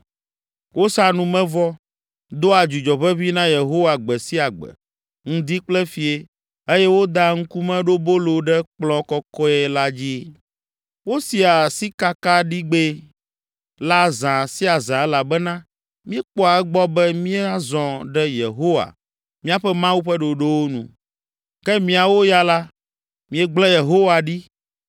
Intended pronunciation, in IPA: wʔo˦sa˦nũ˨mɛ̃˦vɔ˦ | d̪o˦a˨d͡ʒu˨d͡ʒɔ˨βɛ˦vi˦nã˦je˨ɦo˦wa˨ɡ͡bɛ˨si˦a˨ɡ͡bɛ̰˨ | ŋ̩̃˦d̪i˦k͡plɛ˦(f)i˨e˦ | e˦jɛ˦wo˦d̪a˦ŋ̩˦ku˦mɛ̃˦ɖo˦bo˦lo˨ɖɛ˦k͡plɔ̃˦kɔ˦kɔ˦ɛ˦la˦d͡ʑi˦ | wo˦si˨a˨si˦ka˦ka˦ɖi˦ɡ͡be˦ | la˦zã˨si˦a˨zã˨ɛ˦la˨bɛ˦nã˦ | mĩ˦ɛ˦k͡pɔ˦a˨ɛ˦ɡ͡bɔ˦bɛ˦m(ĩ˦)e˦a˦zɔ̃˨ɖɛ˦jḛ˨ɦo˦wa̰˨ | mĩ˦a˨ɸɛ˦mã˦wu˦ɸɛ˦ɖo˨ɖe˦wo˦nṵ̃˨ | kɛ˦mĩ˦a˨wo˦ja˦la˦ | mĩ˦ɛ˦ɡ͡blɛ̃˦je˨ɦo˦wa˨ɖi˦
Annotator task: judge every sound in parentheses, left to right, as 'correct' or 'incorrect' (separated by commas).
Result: correct, correct